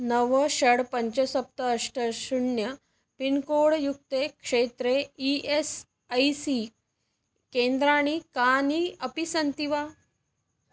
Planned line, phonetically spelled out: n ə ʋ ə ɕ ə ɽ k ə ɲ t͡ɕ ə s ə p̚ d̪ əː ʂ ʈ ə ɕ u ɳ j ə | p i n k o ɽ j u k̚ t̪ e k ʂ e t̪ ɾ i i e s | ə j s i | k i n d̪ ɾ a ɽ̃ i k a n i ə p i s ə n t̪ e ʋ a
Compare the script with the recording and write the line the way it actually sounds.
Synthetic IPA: n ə ʋ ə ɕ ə ɽ p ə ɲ t͡ɕ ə s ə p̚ t̪ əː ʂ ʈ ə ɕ u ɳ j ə | p i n k o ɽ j u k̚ t̪ e k ʂ e t̪ ɾ e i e s | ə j s i | k e n d̪ ɾ a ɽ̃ i k a n i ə p i s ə n t̪ i ʋ a